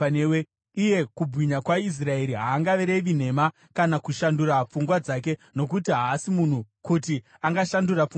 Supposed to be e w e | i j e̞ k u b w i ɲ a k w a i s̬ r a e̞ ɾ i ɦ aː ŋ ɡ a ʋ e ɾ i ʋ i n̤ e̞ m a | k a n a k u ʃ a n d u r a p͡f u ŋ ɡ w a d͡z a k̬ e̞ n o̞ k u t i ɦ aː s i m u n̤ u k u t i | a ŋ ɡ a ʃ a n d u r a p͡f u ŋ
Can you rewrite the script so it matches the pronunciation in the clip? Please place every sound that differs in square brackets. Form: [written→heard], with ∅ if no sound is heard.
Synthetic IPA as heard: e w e | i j e̞ k u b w i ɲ a k w a i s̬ r a e̞ ɾ i ɦ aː ŋ ɡ a ʋ e ɾ [i→e] ʋ i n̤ e̞ m a | k a n a k u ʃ a n d u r a p͡f u ŋ ɡ w a d͡z a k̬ e̞ n o̞ k u t i ɦ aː s i m u n̤ u k u t i | a ŋ ɡ a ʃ a n d u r a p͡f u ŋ